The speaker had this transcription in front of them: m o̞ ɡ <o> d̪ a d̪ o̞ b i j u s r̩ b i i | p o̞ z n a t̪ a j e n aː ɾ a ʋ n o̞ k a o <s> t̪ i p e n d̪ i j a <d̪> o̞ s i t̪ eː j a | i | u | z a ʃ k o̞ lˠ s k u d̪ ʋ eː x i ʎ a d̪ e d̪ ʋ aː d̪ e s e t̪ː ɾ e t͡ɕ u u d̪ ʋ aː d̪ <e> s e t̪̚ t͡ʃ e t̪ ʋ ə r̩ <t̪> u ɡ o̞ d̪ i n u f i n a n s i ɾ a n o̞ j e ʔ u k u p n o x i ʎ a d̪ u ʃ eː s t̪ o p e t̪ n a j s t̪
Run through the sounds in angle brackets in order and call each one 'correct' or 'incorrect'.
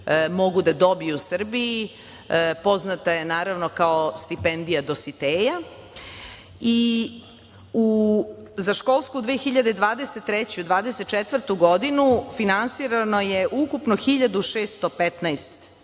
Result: incorrect: u, correct, correct, correct, correct

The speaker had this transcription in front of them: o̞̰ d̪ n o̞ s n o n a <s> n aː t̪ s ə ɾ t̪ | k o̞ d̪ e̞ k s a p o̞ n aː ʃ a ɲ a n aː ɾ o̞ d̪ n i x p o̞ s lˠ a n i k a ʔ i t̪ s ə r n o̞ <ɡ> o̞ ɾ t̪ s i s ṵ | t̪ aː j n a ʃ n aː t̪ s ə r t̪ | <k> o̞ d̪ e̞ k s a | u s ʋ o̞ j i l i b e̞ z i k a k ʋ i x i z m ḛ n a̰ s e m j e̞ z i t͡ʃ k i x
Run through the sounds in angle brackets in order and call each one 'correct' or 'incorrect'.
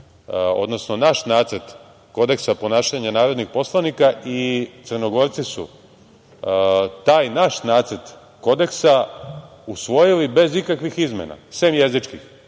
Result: incorrect: ʃ, correct, correct

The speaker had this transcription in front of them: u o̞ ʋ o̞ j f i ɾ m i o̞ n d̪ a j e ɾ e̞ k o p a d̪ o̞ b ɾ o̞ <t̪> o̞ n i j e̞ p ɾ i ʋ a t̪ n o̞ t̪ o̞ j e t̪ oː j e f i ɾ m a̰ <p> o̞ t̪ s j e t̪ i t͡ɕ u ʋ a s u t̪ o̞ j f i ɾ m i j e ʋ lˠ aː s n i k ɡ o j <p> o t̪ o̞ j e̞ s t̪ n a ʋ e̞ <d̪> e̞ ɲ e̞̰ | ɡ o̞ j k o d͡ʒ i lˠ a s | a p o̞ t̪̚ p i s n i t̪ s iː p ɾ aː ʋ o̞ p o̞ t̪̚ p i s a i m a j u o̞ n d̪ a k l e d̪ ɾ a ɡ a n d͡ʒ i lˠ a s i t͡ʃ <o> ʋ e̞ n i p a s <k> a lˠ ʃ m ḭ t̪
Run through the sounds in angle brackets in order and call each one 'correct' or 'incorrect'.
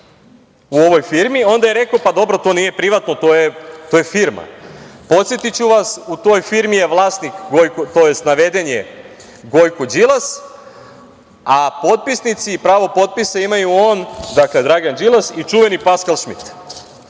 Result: correct, correct, incorrect: k, correct, incorrect: u, correct

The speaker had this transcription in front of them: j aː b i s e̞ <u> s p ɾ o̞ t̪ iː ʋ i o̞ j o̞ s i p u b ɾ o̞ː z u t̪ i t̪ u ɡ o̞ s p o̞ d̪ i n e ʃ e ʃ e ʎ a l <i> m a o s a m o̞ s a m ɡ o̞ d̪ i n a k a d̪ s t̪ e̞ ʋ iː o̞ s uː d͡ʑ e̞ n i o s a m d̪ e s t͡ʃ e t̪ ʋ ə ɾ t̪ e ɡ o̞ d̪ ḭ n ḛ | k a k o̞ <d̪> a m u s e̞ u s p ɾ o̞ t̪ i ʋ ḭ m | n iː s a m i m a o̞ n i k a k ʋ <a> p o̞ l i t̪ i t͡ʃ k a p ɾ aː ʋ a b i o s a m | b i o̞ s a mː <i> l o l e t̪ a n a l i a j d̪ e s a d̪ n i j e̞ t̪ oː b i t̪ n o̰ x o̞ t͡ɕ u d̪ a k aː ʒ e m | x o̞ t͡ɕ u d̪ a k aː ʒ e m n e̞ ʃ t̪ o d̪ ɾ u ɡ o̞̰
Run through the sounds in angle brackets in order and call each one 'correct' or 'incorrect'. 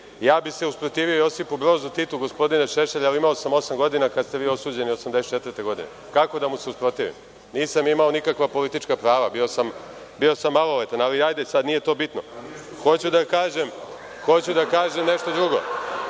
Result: correct, correct, correct, correct, incorrect: a

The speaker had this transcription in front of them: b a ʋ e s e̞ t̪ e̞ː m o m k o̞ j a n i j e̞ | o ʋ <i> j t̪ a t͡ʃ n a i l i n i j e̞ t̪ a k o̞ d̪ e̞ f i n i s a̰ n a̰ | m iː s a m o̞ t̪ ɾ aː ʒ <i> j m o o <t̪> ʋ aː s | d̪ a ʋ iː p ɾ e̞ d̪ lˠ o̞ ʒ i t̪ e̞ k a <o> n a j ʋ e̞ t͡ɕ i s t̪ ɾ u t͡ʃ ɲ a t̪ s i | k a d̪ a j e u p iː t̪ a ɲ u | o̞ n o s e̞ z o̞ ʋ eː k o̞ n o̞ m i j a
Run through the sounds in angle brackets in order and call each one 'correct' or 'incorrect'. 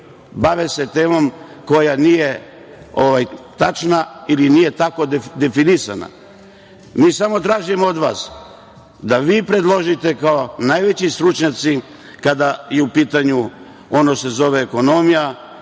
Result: incorrect: a, correct, incorrect: d̪, correct

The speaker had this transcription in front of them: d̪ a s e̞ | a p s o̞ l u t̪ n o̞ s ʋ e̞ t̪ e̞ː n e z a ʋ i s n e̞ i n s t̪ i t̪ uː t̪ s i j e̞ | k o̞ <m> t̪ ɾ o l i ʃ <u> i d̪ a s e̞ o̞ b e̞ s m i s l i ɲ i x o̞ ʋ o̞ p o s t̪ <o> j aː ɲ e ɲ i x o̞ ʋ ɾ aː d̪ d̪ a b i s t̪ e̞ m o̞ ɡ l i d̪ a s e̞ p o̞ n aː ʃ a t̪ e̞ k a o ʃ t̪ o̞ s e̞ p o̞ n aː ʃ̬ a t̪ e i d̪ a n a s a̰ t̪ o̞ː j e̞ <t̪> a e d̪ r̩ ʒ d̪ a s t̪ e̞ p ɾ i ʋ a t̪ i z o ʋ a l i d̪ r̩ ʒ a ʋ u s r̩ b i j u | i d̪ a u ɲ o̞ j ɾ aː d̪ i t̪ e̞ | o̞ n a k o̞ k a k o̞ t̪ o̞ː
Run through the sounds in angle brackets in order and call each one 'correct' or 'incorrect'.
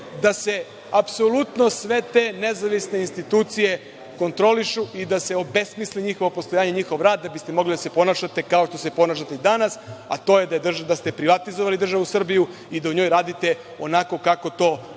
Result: incorrect: n, correct, correct, incorrect: d̪

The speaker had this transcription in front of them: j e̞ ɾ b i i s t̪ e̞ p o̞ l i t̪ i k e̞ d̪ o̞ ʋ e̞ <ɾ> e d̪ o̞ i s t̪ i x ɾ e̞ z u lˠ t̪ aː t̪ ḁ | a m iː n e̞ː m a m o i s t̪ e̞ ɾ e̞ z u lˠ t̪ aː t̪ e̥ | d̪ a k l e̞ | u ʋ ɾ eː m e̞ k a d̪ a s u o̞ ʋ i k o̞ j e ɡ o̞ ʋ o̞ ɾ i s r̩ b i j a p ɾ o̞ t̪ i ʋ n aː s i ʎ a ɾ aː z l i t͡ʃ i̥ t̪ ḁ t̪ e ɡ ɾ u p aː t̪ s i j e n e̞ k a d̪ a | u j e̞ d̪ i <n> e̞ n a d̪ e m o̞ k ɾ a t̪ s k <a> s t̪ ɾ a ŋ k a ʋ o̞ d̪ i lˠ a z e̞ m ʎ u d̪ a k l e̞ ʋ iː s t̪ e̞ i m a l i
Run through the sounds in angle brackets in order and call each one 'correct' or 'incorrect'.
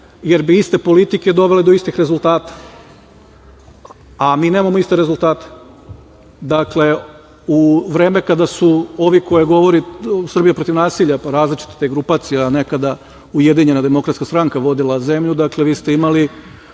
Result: incorrect: l, incorrect: ɲ, correct

